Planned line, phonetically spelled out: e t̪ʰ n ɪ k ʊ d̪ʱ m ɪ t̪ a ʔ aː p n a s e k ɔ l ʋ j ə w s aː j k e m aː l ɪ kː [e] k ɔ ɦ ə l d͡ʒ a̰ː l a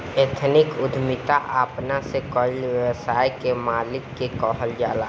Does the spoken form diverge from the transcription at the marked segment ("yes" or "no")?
no